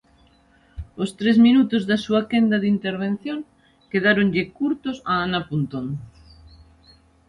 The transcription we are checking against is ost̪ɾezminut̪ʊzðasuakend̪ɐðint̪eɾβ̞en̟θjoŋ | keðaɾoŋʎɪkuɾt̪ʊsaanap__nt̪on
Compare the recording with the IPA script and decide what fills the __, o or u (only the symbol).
u